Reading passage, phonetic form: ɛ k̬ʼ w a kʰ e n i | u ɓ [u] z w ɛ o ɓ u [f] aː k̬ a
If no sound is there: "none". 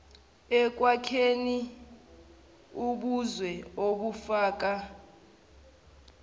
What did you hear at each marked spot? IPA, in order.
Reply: u, f

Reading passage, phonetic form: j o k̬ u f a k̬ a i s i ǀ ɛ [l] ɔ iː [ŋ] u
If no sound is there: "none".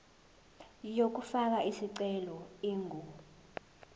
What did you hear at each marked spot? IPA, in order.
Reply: l, ŋ

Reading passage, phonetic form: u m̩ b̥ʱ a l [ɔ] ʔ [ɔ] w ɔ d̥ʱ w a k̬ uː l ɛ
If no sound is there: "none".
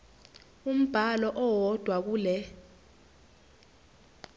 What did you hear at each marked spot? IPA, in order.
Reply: ɔ, ɔ

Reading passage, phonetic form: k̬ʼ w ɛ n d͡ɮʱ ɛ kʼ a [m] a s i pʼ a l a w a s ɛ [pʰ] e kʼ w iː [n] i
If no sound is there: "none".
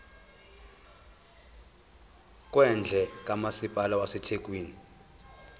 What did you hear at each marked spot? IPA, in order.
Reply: m, tʰ, n

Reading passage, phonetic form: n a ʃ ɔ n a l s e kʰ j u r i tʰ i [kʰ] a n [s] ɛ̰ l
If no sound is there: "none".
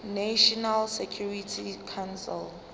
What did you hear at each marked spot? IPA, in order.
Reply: kʰ, s

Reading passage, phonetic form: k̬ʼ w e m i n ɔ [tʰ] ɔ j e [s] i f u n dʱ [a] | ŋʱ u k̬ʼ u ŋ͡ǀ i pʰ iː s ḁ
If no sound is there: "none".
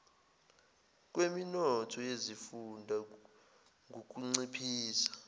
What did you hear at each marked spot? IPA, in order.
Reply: tʰ, z, a

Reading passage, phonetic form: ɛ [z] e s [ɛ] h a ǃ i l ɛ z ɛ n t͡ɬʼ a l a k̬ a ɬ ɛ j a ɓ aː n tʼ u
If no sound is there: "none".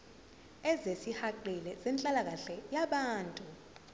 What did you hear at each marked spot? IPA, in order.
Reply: z, i

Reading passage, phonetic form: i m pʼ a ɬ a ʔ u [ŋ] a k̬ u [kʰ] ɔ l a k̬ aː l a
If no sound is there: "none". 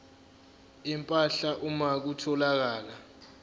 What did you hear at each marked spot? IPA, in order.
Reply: m, tʰ

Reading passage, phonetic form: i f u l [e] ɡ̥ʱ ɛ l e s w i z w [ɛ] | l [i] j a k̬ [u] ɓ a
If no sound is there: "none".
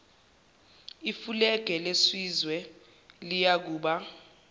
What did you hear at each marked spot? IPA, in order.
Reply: ɛ, ɛ, i, uː

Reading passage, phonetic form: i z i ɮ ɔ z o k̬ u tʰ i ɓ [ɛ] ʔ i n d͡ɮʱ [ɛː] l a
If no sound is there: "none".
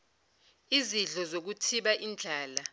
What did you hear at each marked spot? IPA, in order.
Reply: a, aː

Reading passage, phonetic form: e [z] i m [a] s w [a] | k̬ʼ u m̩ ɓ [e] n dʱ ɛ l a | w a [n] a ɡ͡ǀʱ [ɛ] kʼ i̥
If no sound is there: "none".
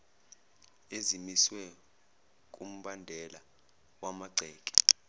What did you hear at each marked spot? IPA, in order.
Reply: z, i, ɛ, a, m, ɛː

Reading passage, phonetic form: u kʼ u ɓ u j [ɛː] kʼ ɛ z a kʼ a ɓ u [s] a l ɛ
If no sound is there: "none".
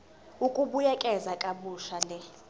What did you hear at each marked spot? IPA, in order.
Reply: ɛ, ʃ

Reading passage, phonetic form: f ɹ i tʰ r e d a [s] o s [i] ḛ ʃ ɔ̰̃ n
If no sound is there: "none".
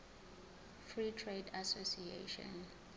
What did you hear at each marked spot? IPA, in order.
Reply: s, i

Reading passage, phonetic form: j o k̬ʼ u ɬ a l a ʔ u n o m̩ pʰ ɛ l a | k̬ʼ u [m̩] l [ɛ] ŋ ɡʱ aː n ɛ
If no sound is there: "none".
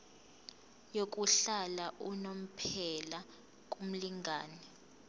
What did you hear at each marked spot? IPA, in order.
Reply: m̩, i

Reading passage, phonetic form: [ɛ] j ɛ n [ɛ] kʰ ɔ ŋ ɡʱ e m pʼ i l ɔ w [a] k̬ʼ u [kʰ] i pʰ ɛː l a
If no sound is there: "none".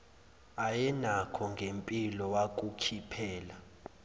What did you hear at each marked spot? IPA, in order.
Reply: a, a, a, kʰ

